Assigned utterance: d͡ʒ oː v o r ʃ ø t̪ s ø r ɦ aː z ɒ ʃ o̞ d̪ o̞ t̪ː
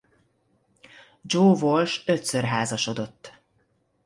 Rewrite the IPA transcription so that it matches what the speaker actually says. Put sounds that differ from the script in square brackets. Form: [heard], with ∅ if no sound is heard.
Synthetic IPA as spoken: d͡ʒ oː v o [l] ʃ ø t̪ s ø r ɦ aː z ɒ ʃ o̞ d̪ o̞ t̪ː